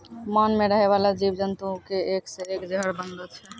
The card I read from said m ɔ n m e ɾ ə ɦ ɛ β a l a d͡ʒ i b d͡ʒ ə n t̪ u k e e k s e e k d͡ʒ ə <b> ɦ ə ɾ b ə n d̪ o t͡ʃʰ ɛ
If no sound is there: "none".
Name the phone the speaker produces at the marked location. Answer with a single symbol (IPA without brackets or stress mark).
none